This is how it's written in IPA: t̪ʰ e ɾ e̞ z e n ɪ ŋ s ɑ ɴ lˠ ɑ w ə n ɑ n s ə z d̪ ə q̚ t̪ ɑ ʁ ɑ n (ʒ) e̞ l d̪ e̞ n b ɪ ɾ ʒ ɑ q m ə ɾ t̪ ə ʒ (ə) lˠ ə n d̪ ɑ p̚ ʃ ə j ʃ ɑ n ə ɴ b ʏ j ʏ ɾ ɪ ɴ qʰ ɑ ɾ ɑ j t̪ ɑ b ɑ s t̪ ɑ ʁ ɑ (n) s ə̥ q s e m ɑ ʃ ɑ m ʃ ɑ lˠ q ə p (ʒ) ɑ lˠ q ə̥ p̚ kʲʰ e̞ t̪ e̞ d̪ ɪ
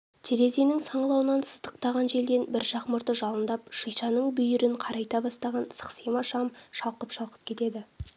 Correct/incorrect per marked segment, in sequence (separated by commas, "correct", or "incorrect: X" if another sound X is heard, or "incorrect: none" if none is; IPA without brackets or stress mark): correct, incorrect: ɑ, correct, incorrect: ʃ